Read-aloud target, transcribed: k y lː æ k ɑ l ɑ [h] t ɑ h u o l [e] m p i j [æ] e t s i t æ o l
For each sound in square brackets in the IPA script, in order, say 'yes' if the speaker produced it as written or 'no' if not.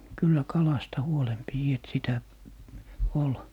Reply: no, yes, no

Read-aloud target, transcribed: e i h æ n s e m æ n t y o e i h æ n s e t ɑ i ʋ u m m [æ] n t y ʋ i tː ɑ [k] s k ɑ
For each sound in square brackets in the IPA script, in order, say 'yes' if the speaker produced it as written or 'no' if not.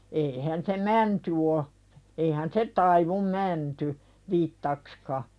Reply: yes, yes

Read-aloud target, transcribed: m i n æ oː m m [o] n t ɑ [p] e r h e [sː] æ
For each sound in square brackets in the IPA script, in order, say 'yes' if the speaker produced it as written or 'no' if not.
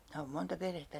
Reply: yes, yes, no

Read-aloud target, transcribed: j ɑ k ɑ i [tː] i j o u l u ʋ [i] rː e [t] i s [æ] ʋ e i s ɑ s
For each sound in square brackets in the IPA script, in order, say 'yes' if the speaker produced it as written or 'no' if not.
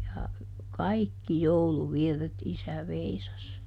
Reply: no, yes, yes, yes

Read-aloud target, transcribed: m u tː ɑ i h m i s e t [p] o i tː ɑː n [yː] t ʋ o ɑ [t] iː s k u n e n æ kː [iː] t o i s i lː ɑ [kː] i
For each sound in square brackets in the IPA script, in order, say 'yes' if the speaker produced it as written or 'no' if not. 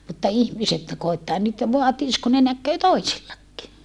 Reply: no, no, yes, no, yes

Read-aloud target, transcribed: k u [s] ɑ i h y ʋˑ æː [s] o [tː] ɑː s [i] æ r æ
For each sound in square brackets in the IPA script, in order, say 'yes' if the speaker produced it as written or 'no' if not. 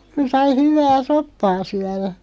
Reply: yes, yes, no, no

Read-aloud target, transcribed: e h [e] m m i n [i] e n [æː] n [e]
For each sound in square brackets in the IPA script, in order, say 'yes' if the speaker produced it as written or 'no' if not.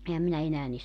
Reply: no, no, yes, no

